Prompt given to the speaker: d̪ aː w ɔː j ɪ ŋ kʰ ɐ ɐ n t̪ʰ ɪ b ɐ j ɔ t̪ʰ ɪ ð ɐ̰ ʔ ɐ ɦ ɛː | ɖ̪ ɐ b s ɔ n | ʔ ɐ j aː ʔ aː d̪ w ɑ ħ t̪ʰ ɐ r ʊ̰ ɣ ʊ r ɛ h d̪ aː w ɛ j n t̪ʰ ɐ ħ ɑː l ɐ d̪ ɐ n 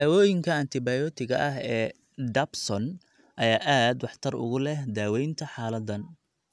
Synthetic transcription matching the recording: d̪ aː w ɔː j ɪ ŋ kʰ ɐ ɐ n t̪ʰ ɪ b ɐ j ɔ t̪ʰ ɪ ɣ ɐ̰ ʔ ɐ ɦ ɛː | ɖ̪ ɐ b s ɔ n | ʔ ɐ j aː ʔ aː d̪ w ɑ ħ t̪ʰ ɐ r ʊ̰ ɣ ʊ l ɛ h d̪ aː w ɛ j n t̪ʰ ɐ ħ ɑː l ɐ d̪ ɐ n